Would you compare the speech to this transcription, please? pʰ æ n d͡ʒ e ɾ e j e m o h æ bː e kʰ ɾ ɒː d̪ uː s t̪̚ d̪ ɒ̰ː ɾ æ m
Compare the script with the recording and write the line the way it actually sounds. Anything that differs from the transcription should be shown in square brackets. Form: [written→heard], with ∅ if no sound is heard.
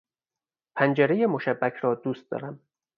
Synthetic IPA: pʰ æ n d͡ʒ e ɾ e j e m o [h→ʃ] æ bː [e→æ] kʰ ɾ ɒː d̪ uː s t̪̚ d̪ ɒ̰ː ɾ æ m